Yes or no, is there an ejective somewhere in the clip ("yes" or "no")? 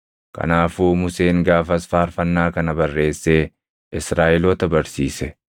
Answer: no